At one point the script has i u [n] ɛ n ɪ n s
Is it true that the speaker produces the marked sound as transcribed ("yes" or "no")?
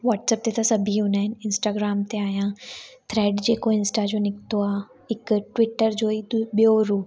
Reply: yes